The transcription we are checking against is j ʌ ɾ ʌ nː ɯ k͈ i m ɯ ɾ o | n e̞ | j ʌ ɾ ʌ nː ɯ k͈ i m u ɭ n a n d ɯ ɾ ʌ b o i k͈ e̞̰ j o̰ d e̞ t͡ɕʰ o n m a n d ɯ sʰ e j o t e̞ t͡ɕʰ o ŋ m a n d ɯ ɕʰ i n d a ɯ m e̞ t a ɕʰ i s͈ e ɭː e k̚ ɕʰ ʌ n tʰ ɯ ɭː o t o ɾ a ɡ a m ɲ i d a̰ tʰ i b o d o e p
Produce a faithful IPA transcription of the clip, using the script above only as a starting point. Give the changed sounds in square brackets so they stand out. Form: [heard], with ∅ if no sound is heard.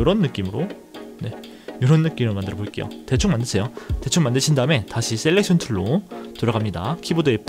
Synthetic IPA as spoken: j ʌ ɾ ʌ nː ɯ k͈ i m ɯ ɾ o | n e̞ | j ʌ ɾ ʌ nː ɯ k͈ i m [ɯ] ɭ [m] a n d ɯ ɾ ʌ b o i k͈ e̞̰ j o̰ [t] e̞ t͡ɕʰ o [ŋ] m a n d ɯ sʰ e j o t e̞ t͡ɕʰ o ŋ m a n d ɯ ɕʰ i n d a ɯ m e̞ t a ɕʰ i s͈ e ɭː e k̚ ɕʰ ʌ n tʰ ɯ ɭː o t o ɾ a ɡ a m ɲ i d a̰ [kʰ] i b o d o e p